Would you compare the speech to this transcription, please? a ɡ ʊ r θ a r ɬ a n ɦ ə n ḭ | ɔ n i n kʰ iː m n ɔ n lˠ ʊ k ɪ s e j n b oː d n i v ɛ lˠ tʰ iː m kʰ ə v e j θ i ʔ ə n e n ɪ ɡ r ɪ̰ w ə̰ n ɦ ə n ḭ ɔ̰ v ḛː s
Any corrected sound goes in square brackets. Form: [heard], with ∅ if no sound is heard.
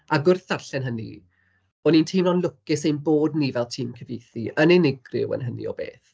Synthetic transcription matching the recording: a ɡ ʊ r θ a r ɬ [ɛ] n ɦ ə n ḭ | ɔ n i n [tʰ] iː m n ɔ n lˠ ʊ k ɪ s e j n b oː d n i v ɛ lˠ tʰ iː m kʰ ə v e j θ i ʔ ə n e n ɪ ɡ r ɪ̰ w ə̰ n ɦ ə n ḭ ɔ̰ [b] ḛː [θ]